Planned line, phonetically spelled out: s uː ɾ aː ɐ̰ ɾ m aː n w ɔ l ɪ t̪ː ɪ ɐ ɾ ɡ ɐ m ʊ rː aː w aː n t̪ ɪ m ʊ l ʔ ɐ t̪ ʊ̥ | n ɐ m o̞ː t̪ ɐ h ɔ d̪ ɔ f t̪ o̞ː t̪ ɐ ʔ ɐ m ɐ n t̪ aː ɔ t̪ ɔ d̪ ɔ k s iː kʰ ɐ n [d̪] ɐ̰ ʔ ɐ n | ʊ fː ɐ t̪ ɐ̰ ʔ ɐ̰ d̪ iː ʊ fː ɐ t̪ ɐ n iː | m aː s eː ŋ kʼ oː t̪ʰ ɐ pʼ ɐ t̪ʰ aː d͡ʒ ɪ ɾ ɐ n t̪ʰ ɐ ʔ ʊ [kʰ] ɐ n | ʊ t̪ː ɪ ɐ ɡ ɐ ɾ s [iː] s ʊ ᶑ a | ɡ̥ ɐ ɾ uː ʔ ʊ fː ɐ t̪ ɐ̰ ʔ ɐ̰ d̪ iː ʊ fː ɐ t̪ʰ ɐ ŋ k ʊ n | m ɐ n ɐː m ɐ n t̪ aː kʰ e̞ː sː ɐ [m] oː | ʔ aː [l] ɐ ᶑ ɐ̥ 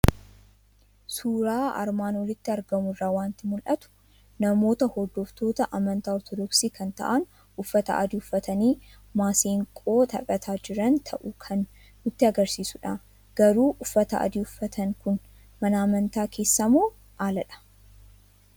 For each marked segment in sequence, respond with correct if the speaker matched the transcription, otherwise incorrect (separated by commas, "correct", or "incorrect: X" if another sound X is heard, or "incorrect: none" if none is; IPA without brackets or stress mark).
incorrect: t̪, correct, correct, correct, correct